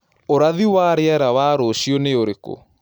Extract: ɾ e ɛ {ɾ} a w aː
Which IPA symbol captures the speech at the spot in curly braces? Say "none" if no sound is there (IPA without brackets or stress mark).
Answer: ɾ